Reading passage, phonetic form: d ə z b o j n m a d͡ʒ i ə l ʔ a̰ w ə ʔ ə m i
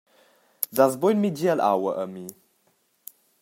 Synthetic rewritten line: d a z b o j n m i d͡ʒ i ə l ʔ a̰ w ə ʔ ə m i

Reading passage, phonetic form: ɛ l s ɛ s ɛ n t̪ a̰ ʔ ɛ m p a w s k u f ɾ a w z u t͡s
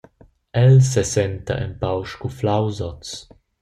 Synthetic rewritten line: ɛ l s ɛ s ɛ n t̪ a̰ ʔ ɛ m p a w ʃ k u f l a w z ɔ t͡s

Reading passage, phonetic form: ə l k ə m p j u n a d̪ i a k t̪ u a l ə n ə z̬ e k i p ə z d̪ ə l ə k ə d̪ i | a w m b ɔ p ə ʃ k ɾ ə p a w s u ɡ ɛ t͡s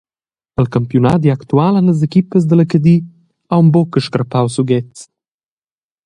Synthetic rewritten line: ə l k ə m p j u n a d̪ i a k t̪ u a l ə n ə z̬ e k i p ə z d̪ ə l ə k ə d̪ i | a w m b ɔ k ə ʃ k ɾ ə p a w s u ɡ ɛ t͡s

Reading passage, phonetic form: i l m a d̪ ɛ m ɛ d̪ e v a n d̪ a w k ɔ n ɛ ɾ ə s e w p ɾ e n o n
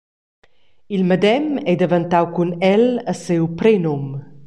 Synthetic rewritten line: i l m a d̪ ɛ m ɛ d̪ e v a n t̪ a w k u n ɛ l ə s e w p ɾ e n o m

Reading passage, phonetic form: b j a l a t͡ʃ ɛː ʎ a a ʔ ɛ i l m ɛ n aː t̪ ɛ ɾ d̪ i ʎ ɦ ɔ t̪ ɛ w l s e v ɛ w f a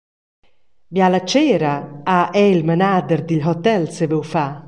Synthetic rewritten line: b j a l a t͡ʃ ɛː ɾ a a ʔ ɛ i l m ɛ n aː d̪ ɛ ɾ d̪ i ʎ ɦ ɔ t̪ ɛ l s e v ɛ w f a

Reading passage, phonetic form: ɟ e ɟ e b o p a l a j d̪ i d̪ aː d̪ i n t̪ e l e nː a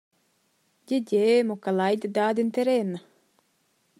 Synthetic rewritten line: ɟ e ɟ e m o k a l a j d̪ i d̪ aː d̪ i n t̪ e ɾ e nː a

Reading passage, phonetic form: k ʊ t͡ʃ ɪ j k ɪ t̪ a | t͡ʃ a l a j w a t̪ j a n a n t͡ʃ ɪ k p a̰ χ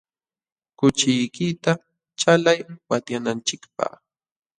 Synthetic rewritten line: k ʊ t͡ʃ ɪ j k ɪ t̪ a | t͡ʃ a l a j w a t̪ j a n a n t͡ʃ ɪ k p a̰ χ

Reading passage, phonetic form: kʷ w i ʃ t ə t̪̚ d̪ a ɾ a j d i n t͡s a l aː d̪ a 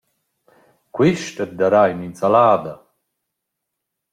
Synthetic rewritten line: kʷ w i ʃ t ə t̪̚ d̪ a ɾ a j n i n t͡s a l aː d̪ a

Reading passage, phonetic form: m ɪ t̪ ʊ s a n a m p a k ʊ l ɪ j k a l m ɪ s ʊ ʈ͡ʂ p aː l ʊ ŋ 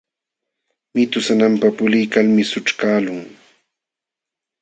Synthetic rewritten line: m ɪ t̪ ʊ s a n a m p a p ʊ l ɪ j k a l m ɪ s ʊ ʈ͡ʂ k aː l ʊ ŋ

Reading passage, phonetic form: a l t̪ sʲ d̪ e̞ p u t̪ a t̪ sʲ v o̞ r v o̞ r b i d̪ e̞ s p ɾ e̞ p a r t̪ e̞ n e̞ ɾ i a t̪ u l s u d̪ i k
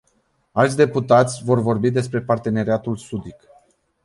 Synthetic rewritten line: a l t̪ sʲ d̪ e̞ p u t̪ a t̪ sʲ v o̞ r v o̞ r b i d̪ e̞ s p ɾ e̞ p a r t̪ e̞ n e̞ ɾ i a t̪ u l s u d̪ i k

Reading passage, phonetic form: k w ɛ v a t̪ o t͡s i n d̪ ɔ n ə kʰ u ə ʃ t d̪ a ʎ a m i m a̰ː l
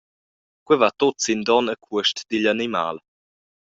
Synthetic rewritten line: k w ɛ v a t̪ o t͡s i n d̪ ɔ n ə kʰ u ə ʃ t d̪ i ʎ a n i m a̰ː l

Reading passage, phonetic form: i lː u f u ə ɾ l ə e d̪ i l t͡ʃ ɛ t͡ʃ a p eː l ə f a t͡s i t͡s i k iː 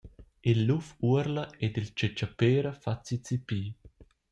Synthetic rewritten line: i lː u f u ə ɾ l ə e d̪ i l t͡ʃ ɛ t͡ʃ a p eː ɾ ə f a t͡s i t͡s i p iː

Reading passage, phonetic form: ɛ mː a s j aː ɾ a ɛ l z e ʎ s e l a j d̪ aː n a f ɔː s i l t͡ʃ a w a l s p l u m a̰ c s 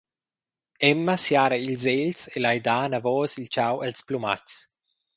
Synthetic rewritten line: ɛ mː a s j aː ɾ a i l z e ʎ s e l a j d̪ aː n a v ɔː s i l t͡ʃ a w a l s p l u m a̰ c s

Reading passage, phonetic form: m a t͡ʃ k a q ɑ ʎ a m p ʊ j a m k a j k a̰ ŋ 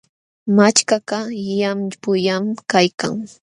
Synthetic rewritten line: m a t͡ʃ k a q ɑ j a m p ʊ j a m k a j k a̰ ŋ

